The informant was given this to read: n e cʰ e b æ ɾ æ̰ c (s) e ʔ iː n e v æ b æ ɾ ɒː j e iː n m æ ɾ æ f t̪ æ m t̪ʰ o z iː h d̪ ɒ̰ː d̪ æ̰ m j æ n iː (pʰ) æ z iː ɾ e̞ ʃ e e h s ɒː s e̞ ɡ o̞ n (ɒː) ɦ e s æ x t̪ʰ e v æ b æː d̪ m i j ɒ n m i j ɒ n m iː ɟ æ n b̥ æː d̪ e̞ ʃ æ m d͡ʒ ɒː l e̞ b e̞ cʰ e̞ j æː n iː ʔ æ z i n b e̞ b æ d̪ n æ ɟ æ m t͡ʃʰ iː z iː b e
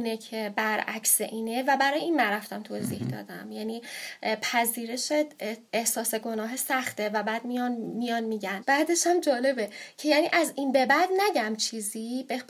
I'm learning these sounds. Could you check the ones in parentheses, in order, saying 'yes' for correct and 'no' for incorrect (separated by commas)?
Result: yes, yes, yes